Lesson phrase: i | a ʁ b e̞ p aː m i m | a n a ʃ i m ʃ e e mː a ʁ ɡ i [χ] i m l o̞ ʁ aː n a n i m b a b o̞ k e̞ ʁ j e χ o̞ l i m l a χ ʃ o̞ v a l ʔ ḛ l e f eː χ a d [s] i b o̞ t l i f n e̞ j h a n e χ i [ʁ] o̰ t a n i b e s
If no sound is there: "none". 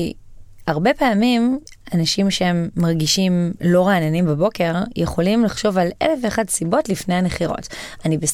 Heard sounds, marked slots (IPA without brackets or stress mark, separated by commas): ʃ, s, ʁ